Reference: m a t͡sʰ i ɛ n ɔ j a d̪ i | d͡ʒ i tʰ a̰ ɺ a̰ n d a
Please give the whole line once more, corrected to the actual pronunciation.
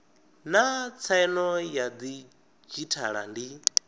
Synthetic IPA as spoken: n a t͡sʰ a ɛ n ɔ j a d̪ i | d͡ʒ i tʰ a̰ ɺ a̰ n d i